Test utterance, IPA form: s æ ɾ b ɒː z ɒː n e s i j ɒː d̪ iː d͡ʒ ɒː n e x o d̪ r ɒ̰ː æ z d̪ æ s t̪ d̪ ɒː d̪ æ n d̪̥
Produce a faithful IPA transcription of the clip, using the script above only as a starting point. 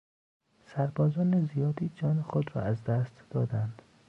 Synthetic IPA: s æ ɾ b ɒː z ɒː n e z i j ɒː d̪ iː d͡ʒ ɒː n e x o d̪ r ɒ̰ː æ z d̪ æ s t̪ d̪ ɒː d̪ æ n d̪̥

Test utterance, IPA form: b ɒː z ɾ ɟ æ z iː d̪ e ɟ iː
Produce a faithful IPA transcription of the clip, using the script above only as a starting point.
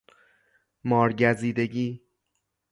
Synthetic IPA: m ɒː ɾ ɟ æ z iː d̪ e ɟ iː

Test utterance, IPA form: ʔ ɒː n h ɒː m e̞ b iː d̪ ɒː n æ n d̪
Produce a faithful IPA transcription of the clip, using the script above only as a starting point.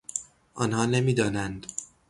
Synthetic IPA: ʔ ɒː n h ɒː n e̞ m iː d̪ ɒː n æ n d̪

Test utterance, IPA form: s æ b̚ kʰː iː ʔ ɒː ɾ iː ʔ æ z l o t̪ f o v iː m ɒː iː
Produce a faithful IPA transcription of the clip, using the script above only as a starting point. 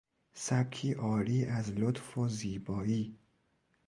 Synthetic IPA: s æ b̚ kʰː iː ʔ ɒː ɾ iː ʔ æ z l o t̪ f o z iː b ɒː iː

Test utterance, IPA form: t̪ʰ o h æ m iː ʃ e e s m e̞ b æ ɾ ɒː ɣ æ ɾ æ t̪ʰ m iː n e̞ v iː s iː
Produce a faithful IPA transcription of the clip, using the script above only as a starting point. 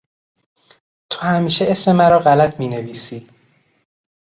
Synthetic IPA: t̪ʰ o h æ m iː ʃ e e s m e̞ m æ ɾ ɒː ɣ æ l æ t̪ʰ m iː n e̞ v iː s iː

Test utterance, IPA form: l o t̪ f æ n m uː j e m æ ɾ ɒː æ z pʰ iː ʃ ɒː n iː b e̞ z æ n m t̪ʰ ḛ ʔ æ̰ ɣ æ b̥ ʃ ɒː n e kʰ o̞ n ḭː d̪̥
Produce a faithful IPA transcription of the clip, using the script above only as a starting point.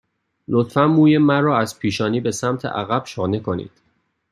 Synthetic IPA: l o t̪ f æ n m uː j e m æ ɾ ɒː æ z pʰ iː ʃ ɒː n iː b e̞ s æ m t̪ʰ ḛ ʔ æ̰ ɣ æ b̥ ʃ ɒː n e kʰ o̞ n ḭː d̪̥

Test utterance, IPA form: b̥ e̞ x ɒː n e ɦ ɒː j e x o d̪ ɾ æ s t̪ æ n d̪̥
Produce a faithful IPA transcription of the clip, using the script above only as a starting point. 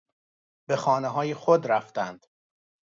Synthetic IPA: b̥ e̞ x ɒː n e ɦ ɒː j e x o d̪ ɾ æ f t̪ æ n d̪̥

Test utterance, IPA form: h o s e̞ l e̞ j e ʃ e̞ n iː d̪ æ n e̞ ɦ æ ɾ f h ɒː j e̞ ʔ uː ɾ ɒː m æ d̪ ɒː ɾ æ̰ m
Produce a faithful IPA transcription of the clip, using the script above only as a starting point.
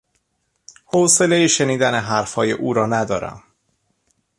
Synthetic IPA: h o s e̞ l e̞ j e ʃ e̞ n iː d̪ æ n e̞ ɦ æ ɾ f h ɒː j e̞ ʔ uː ɾ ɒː n æ d̪ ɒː ɾ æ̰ m

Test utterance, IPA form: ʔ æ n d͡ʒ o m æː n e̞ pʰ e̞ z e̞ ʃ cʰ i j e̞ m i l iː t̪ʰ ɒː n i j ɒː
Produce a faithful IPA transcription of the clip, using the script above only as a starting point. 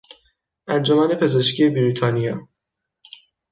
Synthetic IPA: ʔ æ n d͡ʒ o m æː n e̞ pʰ e̞ z e̞ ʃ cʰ i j e̞ b i ɾ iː t̪ʰ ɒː n i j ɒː

